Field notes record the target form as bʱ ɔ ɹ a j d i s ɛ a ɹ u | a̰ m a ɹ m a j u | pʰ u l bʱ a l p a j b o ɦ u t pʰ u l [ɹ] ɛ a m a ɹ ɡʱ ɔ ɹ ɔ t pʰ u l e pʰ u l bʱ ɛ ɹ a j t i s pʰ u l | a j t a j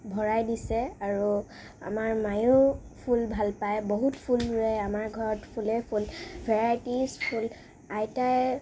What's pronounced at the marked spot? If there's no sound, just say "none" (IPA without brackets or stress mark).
ɹ